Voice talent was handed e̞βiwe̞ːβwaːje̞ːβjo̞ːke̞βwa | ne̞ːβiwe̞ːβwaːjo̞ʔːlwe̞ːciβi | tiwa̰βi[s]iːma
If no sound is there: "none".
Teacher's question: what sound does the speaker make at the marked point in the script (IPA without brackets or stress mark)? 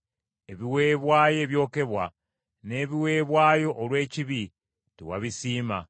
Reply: s